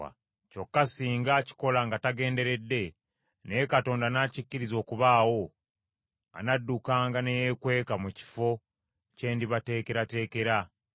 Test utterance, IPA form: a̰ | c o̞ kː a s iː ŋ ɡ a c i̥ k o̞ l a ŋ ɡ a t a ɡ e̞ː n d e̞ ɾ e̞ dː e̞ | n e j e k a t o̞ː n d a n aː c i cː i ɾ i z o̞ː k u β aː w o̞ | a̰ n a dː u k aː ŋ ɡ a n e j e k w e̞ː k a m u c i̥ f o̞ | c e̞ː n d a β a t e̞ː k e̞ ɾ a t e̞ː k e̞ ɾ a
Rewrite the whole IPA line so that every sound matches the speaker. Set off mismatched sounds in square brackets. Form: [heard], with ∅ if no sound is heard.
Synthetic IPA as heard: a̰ | c o̞ kː a s iː ŋ ɡ a c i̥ k o̞ l a ŋ ɡ a t a ɡ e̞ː n d e̞ ɾ e̞ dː e̞ | n e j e k a t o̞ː n d a n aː c i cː i ɾ i z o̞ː k u β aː w o̞ | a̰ n a dː u k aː ŋ ɡ a n e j e k w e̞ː k a m u c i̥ f o̞ | c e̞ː n d [i] β a t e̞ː k e̞ ɾ a t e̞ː k e̞ ɾ a